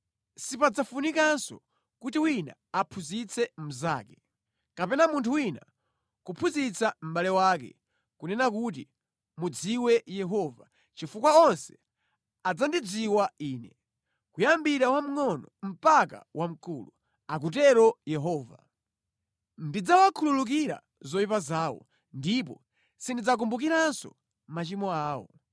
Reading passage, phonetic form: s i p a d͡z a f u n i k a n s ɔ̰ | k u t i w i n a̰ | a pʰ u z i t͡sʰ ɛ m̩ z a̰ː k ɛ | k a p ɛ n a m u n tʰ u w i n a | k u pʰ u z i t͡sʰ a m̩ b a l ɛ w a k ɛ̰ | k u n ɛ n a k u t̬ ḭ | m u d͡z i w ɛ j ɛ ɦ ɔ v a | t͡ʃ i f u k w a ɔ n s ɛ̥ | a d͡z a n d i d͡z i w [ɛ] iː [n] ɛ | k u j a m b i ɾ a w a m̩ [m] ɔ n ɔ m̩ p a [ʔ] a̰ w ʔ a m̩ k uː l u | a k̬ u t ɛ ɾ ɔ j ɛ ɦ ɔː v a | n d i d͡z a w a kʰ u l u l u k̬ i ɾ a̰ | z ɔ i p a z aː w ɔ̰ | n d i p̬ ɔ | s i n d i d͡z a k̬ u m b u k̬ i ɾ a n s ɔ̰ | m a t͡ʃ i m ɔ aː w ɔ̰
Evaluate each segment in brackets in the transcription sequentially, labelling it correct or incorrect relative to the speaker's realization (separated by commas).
incorrect, correct, incorrect, incorrect